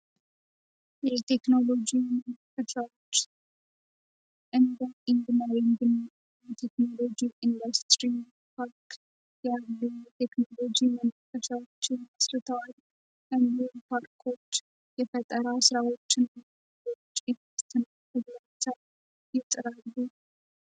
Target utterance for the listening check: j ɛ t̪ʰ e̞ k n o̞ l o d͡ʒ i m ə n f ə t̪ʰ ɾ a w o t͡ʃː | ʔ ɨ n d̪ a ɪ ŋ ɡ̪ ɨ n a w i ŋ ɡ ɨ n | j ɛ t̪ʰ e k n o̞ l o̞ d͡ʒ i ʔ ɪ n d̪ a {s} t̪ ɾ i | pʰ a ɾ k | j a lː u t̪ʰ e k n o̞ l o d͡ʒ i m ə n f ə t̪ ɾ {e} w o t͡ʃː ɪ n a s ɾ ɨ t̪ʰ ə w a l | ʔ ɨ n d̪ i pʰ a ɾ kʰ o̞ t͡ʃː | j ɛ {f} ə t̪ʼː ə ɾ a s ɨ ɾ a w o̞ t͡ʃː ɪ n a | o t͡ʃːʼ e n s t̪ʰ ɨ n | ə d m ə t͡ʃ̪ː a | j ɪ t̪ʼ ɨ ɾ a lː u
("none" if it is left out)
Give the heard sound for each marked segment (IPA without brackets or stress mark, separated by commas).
s, a, f